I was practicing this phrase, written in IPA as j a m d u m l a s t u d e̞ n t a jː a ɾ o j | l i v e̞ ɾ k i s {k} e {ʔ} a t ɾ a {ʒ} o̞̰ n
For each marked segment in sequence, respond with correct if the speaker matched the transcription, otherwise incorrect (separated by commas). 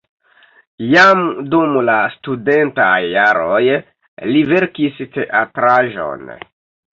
incorrect, correct, correct